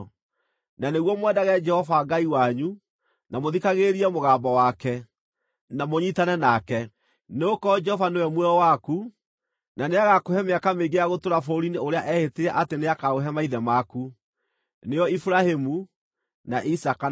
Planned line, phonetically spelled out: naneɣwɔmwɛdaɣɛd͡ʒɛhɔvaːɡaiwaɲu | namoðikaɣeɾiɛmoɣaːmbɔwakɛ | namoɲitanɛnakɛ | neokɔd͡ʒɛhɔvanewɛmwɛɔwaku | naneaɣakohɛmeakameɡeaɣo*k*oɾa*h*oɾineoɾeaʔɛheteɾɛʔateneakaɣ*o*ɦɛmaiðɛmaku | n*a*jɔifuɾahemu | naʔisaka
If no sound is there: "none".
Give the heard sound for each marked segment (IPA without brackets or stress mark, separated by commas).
t, f, o, e